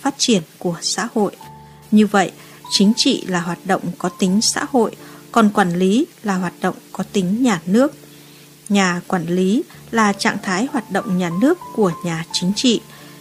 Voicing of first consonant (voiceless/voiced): voiceless